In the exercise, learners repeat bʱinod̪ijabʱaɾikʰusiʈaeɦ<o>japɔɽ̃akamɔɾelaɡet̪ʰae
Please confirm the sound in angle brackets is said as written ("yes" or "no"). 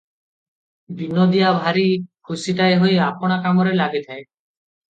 yes